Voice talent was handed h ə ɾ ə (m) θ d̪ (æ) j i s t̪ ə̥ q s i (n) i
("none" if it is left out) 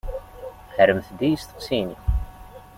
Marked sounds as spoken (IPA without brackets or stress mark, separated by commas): m, i, n